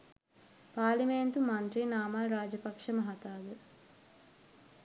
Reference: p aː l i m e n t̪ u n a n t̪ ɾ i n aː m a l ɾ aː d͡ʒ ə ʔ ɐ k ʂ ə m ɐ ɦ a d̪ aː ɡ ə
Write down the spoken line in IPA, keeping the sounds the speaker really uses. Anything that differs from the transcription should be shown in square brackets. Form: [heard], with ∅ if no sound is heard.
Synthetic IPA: p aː l i m e n t̪ u [m] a n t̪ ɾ i n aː m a l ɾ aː d͡ʒ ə [p] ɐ k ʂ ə m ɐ ɦ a [t̪] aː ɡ ə